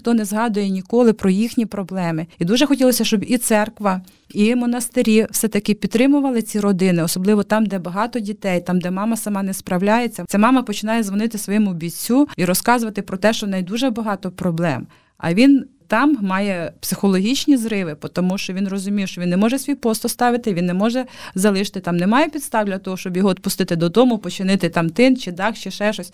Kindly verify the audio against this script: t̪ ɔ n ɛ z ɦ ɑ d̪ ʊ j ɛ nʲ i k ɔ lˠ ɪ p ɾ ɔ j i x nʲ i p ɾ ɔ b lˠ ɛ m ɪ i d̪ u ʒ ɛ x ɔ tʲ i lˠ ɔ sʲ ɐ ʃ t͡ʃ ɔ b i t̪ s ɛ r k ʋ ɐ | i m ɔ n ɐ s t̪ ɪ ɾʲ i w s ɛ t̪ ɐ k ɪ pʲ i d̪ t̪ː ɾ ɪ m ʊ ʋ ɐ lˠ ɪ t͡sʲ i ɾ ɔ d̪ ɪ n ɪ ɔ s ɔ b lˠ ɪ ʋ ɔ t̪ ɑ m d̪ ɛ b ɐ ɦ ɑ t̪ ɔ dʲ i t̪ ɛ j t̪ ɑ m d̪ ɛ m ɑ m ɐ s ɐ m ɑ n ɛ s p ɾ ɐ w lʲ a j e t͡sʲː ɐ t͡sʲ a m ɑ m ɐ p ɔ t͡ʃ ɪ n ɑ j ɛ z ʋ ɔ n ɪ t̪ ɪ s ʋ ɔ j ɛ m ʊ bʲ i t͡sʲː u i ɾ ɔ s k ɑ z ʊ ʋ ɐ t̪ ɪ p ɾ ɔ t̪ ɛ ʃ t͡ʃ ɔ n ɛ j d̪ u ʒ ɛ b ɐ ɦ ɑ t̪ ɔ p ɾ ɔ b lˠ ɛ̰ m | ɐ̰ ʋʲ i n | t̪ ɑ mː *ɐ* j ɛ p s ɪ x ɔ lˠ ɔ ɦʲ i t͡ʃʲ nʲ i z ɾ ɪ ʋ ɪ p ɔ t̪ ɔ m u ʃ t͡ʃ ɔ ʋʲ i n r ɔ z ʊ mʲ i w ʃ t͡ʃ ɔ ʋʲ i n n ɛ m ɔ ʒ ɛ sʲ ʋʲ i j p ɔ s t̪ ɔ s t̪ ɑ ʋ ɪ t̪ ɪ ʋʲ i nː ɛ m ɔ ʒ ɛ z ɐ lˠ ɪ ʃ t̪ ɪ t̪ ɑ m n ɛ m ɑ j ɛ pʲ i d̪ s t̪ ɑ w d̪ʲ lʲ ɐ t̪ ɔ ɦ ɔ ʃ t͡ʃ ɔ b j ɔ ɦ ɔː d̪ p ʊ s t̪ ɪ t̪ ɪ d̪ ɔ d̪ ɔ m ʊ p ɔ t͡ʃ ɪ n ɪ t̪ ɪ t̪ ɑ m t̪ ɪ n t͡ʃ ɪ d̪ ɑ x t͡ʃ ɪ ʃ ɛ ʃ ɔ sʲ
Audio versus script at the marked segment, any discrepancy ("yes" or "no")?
yes